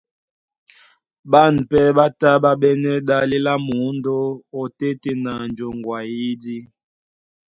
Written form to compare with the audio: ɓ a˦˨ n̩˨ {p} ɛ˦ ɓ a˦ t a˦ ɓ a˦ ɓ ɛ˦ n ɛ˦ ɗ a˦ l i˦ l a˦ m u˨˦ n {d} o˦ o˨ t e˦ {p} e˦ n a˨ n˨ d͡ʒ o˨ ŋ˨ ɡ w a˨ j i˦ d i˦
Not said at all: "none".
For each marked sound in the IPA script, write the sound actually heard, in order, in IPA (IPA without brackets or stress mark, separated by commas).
p, d, t